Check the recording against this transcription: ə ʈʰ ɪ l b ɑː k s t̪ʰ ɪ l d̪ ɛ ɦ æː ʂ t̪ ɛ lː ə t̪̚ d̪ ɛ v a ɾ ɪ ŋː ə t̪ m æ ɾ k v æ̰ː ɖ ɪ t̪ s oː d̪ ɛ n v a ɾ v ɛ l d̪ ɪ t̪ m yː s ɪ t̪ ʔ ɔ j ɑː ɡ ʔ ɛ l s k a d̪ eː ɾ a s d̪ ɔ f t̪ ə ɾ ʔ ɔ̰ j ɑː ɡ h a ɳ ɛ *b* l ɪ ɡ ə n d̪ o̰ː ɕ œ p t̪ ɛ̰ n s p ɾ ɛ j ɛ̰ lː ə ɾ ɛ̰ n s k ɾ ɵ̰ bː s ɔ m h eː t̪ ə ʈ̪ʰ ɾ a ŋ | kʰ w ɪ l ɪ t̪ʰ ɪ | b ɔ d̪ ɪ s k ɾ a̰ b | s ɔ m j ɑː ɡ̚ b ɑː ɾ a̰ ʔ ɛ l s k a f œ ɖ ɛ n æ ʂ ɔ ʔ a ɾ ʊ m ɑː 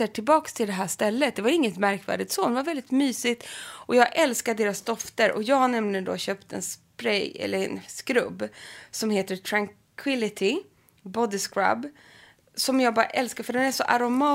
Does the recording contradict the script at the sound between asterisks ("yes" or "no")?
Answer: yes